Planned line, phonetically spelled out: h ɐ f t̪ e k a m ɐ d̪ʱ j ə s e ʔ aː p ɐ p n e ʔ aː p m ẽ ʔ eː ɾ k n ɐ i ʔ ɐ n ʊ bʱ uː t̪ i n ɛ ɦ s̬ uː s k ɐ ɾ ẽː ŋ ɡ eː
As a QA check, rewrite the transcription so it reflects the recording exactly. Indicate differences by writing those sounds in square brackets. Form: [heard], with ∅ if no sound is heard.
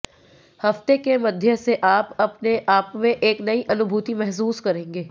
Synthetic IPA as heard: h ɐ f t̪ e k [e] m ɐ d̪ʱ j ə s e ʔ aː p ɐ p n e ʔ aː p m ẽ ʔ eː [∅] k n ɐ i ʔ ɐ n ʊ bʱ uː t̪ i [m] ɛ ɦ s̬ uː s k ɐ ɾ ẽː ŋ ɡ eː